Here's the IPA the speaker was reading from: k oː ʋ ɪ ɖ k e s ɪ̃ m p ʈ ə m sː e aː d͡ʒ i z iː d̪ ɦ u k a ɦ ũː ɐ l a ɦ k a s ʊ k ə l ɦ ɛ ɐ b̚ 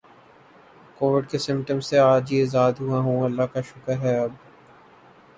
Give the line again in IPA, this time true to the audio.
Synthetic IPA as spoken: k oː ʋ ɪ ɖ k e s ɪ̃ m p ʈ ə m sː e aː d͡ʒ i z aː d̪ ɦ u a ɦ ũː ɐ lː a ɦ k a ʃ ʊ k ə ɾ ɦ ɛ ɐ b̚